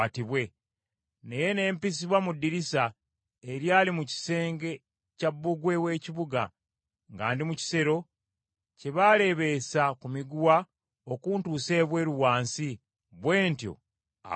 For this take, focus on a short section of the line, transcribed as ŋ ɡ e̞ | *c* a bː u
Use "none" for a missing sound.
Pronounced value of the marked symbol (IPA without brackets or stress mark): c